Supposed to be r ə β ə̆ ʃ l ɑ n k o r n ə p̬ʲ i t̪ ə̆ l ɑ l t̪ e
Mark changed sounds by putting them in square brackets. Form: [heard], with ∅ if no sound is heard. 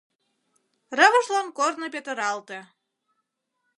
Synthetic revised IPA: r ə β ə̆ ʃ l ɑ n k o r n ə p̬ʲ [e] t̪ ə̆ [ɾ] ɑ l t̪ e

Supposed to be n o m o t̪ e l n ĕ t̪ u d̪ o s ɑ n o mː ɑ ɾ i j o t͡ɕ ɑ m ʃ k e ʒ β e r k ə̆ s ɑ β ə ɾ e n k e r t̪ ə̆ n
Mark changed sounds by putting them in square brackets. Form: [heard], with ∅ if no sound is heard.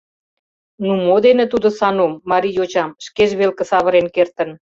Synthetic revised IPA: n [u] m o [d̪] e [∅] n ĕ t̪ u d̪ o s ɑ n o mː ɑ ɾ i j o t͡ɕ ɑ m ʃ k e ʒ β e [l] k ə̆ s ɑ β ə ɾ e n k e r t̪ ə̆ n

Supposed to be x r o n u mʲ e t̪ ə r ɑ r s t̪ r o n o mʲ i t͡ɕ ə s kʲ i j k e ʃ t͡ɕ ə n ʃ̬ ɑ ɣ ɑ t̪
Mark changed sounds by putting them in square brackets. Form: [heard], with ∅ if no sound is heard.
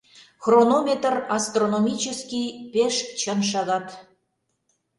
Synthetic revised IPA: x r o n [o] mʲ e t̪ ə r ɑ [∅] s t̪ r o n o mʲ i t͡ɕ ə s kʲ i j [p] e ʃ t͡ɕ ə n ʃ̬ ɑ ɣ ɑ t̪

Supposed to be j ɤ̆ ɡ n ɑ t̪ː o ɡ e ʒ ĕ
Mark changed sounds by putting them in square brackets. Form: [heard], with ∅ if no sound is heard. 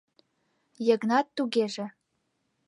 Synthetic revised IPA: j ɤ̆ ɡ n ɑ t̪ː [u] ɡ e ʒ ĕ

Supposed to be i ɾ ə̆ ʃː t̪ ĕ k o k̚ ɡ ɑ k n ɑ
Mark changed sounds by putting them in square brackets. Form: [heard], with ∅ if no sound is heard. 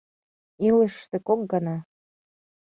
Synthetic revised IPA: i [l] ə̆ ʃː t̪ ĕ k o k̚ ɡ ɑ [∅] n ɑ

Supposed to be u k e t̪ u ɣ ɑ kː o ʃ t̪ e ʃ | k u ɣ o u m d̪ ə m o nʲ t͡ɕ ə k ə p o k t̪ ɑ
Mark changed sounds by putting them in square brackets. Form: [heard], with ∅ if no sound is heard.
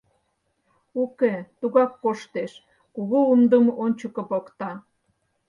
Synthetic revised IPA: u k e t̪ u ɣ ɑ kː o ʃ t̪ e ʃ | k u ɣ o u m d̪ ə m o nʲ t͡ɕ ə k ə p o k t̪ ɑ

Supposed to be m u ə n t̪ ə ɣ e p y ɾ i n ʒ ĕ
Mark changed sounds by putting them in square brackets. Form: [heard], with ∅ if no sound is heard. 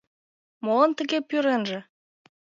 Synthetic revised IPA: m [o] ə n t̪ ə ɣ e p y ɾ [e] n ʒ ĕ

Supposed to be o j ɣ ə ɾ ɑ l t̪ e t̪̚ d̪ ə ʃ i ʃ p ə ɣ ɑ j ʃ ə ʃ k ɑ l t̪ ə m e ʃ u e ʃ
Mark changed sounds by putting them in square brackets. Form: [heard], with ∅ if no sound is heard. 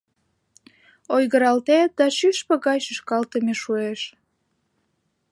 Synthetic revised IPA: o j ɣ ə ɾ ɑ l t̪ e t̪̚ d̪ [ɑ] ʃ [y] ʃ p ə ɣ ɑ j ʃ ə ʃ k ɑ l t̪ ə m e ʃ u e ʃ

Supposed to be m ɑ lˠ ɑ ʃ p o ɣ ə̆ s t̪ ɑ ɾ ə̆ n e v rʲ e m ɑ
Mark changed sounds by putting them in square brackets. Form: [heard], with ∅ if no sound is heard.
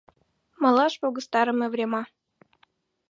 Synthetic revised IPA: m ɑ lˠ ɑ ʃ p o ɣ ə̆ s t̪ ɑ ɾ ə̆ [m] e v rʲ e m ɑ

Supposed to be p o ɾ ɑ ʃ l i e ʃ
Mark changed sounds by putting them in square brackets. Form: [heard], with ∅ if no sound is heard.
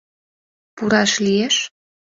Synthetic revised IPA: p [u] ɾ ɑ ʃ l i e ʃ

